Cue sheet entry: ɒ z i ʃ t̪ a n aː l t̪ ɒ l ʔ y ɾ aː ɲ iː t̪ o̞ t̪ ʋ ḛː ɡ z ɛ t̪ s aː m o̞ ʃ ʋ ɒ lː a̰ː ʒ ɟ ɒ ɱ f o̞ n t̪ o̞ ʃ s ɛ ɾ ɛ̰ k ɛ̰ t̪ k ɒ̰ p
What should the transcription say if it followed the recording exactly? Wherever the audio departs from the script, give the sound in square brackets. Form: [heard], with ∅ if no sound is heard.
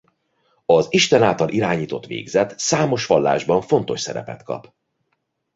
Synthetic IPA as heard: ɒ z i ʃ t̪ [ɛ] n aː l t̪ ɒ l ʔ [i] ɾ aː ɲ iː t̪ o̞ t̪ ʋ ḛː ɡ z ɛ t̪ s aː m o̞ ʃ ʋ ɒ lː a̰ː ʒ [b] ɒ ɱ f o̞ n t̪ o̞ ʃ s ɛ ɾ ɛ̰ [p] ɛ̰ t̪ k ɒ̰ p